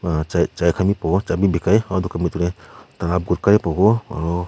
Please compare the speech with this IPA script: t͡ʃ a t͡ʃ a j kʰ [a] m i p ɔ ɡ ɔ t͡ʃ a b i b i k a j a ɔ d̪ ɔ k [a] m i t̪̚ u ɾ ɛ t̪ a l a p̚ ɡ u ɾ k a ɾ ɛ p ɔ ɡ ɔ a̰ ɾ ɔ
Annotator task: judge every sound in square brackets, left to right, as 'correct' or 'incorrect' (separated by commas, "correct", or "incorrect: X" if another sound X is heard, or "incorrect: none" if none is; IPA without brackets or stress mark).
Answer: correct, correct